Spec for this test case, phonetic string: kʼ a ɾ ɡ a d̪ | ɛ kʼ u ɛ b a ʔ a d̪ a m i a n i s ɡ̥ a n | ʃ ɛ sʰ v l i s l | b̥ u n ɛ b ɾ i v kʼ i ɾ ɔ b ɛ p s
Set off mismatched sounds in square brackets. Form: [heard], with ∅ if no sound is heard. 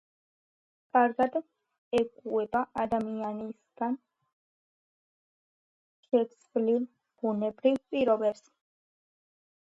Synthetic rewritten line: kʼ a ɾ ɡ a d̪ | ɛ kʼ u ɛ b a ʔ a d̪ a m i a n i s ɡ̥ a n | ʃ ɛ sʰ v l i [∅] l | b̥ u n ɛ b ɾ i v [pʼ] i ɾ ɔ b ɛ p s

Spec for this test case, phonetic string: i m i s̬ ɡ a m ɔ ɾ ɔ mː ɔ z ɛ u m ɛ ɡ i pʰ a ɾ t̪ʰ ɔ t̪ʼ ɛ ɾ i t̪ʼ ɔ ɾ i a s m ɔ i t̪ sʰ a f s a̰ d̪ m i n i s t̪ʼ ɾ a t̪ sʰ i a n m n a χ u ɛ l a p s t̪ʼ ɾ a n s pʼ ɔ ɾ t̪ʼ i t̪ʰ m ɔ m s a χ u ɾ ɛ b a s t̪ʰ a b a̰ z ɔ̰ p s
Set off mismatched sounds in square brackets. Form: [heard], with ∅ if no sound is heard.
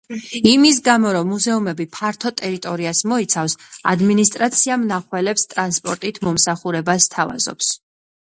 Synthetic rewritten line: i m i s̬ ɡ a m ɔ ɾ ɔ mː [u] z ɛ u m ɛ [b] i pʰ a ɾ t̪ʰ ɔ t̪ʼ ɛ ɾ i t̪ʼ ɔ ɾ i a s m ɔ i t̪ sʰ a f s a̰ d̪ m i n i s t̪ʼ ɾ a t̪ sʰ i a [∅] m n a χ [w] ɛ l [ɛ] p s t̪ʼ ɾ a n s pʼ ɔ ɾ t̪ʼ i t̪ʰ m ɔ m s a χ u ɾ ɛ b a s t̪ʰ a [v] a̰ z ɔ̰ p s

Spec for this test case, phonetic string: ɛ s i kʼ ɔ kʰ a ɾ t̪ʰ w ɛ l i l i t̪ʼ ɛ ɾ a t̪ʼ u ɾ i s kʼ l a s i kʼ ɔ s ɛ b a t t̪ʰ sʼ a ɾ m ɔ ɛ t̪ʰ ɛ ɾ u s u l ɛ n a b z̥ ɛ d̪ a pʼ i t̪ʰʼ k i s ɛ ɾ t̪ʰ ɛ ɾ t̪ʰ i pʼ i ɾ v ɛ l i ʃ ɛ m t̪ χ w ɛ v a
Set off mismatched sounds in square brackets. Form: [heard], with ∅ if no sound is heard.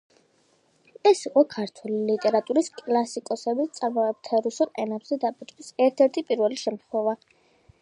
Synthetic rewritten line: ɛ s i [qʼ] ɔ kʰ a ɾ t̪ʰ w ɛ l i l i t̪ʼ ɛ ɾ a t̪ʼ u ɾ i s kʼ l a s i kʼ ɔ s ɛ b [i] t [t̪] sʼ a ɾ m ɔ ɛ t̪ʰ ɛ ɾ u s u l ɛ n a b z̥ ɛ d̪ a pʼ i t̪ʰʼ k i s ɛ ɾ t̪ʰ ɛ ɾ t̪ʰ i pʼ i ɾ v ɛ l i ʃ ɛ m t̪ χ w ɛ v a

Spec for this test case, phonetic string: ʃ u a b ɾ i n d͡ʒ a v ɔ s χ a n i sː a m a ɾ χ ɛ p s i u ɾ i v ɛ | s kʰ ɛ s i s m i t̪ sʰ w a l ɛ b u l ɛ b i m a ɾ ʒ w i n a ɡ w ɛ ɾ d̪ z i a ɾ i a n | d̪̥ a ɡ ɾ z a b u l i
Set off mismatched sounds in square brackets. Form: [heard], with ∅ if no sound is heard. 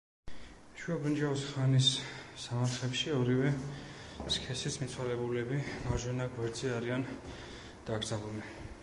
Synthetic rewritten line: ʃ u a b ɾ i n d͡ʒ a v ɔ s χ a n i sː a m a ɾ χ ɛ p [ʃ] i [ɔ] ɾ i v ɛ | s kʰ ɛ s i s m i t̪ sʰ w a l ɛ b u l ɛ b i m a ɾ ʒ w [ɛ] n a ɡ w ɛ ɾ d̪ z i a ɾ i a n | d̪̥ a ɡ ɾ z a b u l i

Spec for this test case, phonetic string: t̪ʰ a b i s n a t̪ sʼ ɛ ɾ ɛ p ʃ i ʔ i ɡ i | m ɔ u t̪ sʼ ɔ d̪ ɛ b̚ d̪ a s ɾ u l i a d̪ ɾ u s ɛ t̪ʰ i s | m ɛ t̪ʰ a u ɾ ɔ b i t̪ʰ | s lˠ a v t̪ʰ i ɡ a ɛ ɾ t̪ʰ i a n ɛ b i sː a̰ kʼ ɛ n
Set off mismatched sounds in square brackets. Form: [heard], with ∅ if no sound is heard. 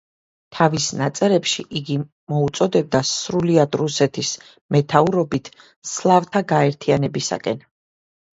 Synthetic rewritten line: t̪ʰ a [v] i s n a t̪ sʼ ɛ ɾ ɛ p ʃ i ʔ i ɡ i | m ɔ u t̪ sʼ ɔ d̪ ɛ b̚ d̪ a s ɾ u l i a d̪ ɾ u s ɛ t̪ʰ i s | m ɛ t̪ʰ a u ɾ ɔ b i t̪ʰ | s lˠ a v t̪ʰ [a] ɡ a ɛ ɾ t̪ʰ i a n ɛ b i [s] a̰ kʼ ɛ n

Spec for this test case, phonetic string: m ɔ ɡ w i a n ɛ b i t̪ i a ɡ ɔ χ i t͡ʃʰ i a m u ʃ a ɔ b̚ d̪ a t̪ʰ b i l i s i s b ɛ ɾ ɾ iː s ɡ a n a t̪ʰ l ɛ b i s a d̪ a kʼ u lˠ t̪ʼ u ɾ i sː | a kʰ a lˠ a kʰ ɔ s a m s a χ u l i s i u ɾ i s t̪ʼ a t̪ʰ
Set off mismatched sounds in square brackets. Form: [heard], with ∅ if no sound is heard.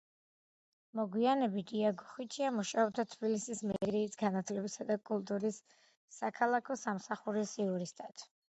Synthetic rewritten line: m ɔ ɡ w i a n ɛ b i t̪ i a ɡ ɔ χ i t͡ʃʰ i a m u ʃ a ɔ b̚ d̪ a t̪ʰ b i l i s i s [m] ɛ ɾ ɾ iː s ɡ a n a t̪ʰ l ɛ b i s a d̪ a kʼ u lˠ t̪ʼ u ɾ i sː | a kʰ a lˠ a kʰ ɔ s a m s a χ u [ɾ] i s i u ɾ i s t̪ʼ a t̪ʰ

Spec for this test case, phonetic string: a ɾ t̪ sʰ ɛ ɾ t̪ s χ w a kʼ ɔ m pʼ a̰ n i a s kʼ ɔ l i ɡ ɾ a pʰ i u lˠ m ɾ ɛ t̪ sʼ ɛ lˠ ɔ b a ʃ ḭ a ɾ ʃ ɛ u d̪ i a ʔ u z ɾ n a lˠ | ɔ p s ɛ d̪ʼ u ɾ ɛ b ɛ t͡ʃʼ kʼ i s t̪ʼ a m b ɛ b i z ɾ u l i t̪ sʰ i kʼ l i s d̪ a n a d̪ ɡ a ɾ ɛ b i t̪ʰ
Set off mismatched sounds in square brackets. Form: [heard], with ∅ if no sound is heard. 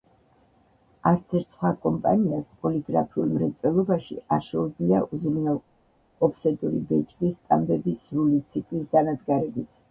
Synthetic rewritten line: a ɾ t̪ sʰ ɛ ɾ t̪ s χ w a kʼ ɔ m pʼ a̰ n i a s [pʼ] ɔ l i ɡ ɾ a pʰ i u lˠ m ɾ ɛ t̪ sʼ ɛ lˠ ɔ b a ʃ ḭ a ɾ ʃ ɛ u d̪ i a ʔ u z ɾ n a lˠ | ɔ p s ɛ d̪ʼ u ɾ [i] b ɛ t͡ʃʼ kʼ i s t̪ʼ a m b ɛ b i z ɾ u l i t̪ sʰ i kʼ l i s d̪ a n a d̪ ɡ a ɾ ɛ b i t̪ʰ

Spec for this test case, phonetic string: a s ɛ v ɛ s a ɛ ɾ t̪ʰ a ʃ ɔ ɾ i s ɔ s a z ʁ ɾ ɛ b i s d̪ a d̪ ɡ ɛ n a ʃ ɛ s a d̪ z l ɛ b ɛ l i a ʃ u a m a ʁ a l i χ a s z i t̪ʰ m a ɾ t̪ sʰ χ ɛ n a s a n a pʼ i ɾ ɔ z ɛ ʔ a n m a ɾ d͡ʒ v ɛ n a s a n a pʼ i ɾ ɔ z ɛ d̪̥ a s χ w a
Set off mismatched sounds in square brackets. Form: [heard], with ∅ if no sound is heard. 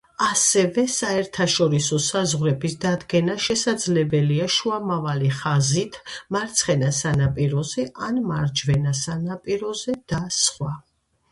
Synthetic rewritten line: a s ɛ v ɛ s a ɛ ɾ t̪ʰ a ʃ ɔ ɾ i s ɔ s a z ʁ ɾ ɛ b i s d̪ a d̪ ɡ ɛ n a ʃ ɛ s a d̪ z l ɛ b ɛ l i a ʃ u a m a [v] a l i χ a [∅] z i t̪ʰ m a ɾ t̪ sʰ χ ɛ n a s a n a pʼ i ɾ ɔ z ɛ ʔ a n m a ɾ d͡ʒ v ɛ n a s a n a pʼ i ɾ ɔ z ɛ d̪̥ a s χ w a

